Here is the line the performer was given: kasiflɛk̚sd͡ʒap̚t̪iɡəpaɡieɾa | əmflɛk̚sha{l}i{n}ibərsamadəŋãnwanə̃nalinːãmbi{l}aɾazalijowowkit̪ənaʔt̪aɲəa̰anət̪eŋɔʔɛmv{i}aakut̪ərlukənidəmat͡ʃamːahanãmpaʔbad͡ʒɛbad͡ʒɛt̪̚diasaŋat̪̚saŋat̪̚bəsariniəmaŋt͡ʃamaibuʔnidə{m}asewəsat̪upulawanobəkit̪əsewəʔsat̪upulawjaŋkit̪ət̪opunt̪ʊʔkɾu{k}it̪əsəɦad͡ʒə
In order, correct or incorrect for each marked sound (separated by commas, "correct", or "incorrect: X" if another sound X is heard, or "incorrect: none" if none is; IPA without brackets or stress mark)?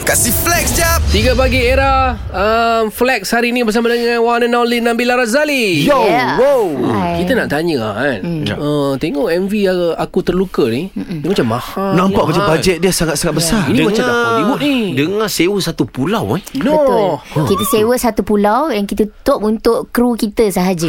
incorrect: ɾ, correct, correct, correct, incorrect: ŋ, correct